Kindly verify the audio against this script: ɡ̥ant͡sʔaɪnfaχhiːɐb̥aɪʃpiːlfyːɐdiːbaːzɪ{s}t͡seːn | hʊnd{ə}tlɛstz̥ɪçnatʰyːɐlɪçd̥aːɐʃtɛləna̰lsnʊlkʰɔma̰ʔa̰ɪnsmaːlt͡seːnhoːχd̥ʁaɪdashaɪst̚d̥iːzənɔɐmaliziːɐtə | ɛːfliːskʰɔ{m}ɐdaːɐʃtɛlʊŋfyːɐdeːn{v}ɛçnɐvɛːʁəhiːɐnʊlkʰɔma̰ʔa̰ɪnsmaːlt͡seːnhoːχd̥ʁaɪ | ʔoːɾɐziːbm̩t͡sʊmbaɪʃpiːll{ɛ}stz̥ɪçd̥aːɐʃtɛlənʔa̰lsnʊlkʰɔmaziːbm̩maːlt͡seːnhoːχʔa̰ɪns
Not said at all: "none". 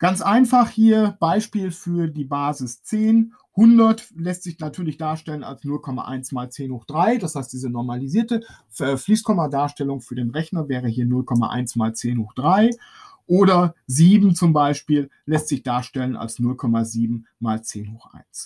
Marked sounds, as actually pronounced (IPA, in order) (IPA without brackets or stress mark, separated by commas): s, ɐ, m, ʁ, ɛ